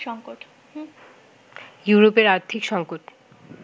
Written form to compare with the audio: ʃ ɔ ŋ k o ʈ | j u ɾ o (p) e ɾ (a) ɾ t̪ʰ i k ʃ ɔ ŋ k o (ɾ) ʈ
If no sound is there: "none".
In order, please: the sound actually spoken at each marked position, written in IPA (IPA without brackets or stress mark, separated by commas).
p, a, none